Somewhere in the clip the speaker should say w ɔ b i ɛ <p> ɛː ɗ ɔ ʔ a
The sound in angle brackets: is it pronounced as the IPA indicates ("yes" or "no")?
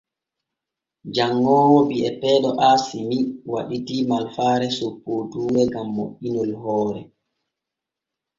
yes